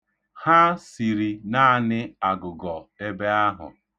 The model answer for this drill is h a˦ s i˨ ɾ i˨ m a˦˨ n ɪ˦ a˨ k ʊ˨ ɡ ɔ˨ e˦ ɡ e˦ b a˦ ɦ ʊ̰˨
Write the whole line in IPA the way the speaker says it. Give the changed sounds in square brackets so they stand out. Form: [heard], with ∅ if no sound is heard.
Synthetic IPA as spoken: h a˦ s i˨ ɾ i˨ [n] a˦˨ n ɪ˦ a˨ [ɡ] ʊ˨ ɡ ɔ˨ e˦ [b] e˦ [∅] a˦ ɦ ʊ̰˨